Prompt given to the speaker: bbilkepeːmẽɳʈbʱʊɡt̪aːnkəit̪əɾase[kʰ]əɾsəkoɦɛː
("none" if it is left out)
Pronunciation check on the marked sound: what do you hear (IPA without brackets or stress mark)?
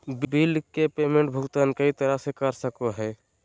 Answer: k